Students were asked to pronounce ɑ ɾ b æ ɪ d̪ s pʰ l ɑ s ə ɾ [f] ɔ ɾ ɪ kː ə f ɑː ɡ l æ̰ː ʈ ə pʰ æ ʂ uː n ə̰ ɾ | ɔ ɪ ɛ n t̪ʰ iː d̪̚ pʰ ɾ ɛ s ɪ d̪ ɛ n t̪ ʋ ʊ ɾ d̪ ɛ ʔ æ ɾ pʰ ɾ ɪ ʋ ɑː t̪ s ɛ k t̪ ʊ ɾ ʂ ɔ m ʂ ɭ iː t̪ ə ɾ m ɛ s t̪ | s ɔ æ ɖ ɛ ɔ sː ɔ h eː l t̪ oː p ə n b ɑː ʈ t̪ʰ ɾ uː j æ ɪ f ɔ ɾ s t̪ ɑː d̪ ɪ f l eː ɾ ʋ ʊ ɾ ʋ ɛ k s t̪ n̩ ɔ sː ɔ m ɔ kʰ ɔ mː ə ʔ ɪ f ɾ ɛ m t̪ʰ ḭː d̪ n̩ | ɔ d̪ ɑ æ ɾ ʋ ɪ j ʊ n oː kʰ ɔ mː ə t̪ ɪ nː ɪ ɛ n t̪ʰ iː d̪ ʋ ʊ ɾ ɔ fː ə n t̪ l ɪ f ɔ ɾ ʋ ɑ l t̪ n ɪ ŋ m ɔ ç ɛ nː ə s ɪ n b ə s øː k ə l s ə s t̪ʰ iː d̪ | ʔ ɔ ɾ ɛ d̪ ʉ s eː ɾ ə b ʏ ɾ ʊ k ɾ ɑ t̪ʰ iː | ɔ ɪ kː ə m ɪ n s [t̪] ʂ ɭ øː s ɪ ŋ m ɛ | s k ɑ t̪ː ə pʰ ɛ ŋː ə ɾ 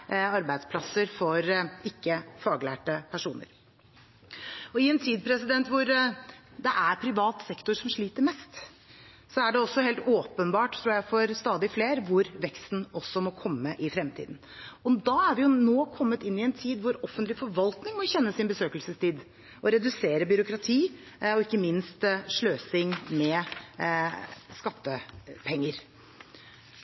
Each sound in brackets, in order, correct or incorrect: correct, correct

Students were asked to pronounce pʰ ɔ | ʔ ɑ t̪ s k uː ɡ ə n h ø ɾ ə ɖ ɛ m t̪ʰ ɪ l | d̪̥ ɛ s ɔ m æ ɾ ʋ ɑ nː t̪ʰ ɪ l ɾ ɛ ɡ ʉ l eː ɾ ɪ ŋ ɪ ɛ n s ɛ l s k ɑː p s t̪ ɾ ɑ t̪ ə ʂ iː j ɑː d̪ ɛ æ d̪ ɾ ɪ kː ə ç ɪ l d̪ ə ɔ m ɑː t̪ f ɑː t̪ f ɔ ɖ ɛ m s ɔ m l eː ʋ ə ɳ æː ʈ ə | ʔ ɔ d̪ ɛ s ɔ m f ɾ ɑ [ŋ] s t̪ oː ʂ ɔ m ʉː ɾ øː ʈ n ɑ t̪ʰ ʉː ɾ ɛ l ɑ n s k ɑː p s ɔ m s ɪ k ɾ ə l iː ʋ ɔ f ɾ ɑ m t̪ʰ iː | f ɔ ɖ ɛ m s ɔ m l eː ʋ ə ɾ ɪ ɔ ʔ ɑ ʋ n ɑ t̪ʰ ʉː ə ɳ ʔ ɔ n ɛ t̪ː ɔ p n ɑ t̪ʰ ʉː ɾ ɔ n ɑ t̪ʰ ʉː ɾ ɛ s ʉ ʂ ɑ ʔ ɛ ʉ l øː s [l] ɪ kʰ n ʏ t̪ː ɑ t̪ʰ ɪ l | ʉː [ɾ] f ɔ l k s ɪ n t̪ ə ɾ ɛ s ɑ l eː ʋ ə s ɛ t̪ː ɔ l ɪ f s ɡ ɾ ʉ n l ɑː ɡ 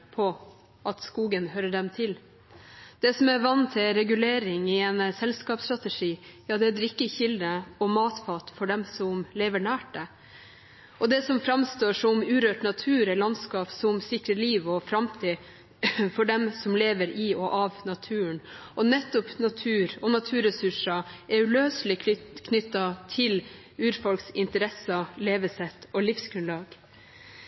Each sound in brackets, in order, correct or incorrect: incorrect: m, correct, correct

